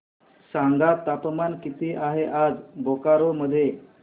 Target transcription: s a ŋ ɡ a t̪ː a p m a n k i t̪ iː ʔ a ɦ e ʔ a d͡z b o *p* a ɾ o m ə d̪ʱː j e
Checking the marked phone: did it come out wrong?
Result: yes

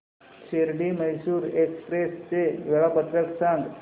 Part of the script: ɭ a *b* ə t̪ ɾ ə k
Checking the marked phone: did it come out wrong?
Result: yes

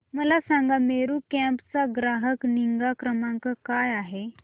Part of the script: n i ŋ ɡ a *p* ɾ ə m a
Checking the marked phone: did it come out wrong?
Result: yes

